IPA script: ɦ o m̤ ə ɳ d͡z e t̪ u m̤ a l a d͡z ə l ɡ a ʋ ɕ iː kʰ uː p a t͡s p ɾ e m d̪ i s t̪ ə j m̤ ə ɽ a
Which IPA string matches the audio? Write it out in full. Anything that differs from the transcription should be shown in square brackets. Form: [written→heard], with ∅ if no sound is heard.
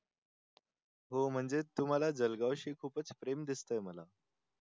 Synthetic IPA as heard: ɦ o m̤ ə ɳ d͡z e t̪ u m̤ a l a d͡z ə l ɡ a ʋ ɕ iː kʰ uː p [a→ə] t͡s p ɾ e m d̪ i s t̪ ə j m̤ ə [ɽ→l] a

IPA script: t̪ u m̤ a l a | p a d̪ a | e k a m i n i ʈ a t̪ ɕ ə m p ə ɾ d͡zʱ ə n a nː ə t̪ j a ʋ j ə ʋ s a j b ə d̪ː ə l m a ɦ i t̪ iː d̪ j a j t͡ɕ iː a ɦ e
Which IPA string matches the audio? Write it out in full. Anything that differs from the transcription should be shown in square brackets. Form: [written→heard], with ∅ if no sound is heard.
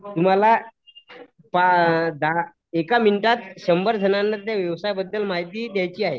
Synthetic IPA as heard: t̪ u m̤ a l a | p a d̪ a | e k a m i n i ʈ a t̪ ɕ ə m [p→b] ə ɾ d͡zʱ ə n a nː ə t̪ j a ʋ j ə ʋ s a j b ə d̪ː ə l m a ɦ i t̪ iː d̪ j a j t͡ɕ iː a ɦ e

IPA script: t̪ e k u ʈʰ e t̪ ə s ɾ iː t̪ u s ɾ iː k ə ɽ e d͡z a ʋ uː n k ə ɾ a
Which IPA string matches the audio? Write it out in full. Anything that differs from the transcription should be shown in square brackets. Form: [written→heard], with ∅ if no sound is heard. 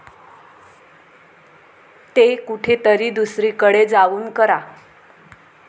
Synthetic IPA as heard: t̪ e k u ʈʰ e t̪ ə [s→∅] ɾ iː [t̪→d̪] u s ɾ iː k ə ɽ e d͡z a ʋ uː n k ə ɾ a

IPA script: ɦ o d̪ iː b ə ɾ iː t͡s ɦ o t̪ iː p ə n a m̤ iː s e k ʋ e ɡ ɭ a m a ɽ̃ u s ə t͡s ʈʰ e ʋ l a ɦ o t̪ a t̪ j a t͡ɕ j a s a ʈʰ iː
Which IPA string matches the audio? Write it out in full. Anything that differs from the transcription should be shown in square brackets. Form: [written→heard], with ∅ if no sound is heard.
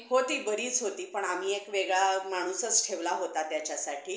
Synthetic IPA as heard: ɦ o [d̪→t̪] iː b ə ɾ iː t͡s ɦ o t̪ iː p ə [n→ɳ] a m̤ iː [s→∅] e k ʋ e ɡ ɭ a m a ɽ̃ u s ə t͡s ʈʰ e ʋ l a ɦ o t̪ a t̪ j a t͡ɕ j a s a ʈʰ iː

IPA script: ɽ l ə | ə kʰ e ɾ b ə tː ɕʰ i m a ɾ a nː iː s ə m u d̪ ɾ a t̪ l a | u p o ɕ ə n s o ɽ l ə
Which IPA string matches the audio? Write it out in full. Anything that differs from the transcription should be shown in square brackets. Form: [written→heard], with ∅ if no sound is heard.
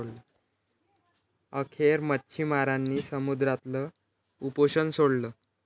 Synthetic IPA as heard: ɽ l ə | ə kʰ e ɾ [b→m] ə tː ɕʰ i m a ɾ a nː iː s ə m u d̪ ɾ a t̪ l [a→ə] | u p o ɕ ə n s o ɽ l ə

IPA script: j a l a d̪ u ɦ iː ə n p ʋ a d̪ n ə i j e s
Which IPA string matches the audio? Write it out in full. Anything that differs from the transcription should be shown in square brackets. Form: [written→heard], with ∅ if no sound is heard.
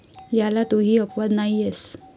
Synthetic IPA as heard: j a l a [d̪→t̪] u ɦ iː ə [n→∅] p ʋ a d̪ n [ə→a] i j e s

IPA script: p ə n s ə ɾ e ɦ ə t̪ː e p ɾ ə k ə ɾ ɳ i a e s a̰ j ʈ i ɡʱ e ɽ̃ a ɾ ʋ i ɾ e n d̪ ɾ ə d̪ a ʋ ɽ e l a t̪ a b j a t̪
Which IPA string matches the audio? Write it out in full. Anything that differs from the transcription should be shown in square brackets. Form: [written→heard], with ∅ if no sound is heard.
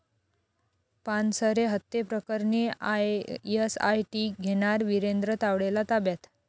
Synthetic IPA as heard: p [ə→a] n s ə ɾ e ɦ ə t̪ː e p ɾ ə k ə ɾ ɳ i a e s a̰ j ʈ i ɡʱ e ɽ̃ a ɾ ʋ i ɾ e n d̪ ɾ ə [d̪→t̪] a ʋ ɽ e l a t̪ a b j a t̪

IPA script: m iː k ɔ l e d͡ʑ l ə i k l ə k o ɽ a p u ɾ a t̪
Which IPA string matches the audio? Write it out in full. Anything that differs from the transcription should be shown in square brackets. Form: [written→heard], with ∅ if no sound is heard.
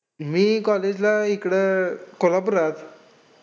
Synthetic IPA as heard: m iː k ɔ l e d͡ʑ l [ə→a] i k [l→ɽ] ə k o [ɽ→l] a p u ɾ a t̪

